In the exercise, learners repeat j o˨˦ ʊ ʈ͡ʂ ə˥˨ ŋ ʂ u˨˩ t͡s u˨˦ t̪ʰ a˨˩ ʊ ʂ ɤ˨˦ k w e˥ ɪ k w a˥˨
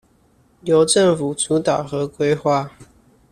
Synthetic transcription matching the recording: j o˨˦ ʊ ʈ͡ʂ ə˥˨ ŋ f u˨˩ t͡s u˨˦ t̪ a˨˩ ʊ x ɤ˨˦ k w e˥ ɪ x w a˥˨